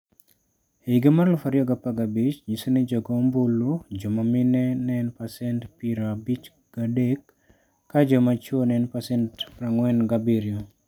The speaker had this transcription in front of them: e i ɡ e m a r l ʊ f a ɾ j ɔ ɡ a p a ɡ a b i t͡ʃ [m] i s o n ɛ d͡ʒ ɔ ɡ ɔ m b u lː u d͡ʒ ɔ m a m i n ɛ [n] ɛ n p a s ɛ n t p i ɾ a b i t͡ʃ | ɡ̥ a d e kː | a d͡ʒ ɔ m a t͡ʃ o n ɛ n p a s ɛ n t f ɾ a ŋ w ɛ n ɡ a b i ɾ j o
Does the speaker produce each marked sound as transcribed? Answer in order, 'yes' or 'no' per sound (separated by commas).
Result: no, yes